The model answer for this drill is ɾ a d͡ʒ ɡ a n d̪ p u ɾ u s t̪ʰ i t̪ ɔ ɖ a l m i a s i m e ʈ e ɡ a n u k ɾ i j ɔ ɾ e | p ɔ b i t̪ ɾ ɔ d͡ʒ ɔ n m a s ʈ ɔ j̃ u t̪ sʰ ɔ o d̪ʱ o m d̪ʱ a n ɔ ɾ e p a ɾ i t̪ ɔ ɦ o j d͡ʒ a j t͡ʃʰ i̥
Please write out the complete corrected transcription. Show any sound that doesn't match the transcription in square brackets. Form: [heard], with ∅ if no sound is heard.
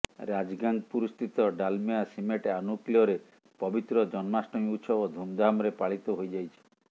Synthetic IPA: ɾ a d͡ʒ ɡ a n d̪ p u ɾ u s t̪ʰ i t̪ ɔ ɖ a l m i a s i m e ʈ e [∅] a n u k [l] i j ɔ ɾ e | p ɔ b i t̪ ɾ ɔ d͡ʒ ɔ n m a s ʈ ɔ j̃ u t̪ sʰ ɔ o d̪ʱ [u] m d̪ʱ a [m] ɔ ɾ e p a [ɭ] i t̪ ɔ ɦ o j d͡ʒ a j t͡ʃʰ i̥